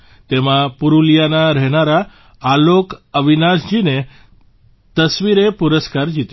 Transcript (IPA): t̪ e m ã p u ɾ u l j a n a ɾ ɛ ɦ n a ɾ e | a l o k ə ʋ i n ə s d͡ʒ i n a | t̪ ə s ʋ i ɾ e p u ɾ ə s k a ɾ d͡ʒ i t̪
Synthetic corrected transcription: t̪ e m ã p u ɾ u l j a n a ɾ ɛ ɦ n a ɾ a | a l o k ə ʋ i n a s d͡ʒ i n e | t̪ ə s ʋ i ɾ e p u ɾ ə s k a ɾ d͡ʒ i t̪